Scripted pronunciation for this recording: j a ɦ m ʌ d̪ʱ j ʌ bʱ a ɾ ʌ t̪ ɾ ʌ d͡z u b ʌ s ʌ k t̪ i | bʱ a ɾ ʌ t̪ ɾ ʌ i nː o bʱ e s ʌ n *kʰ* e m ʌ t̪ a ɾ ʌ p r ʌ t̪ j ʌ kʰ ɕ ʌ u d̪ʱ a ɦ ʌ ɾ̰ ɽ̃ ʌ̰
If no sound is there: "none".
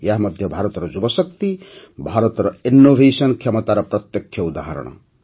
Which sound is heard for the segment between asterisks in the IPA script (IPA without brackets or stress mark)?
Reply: kʰ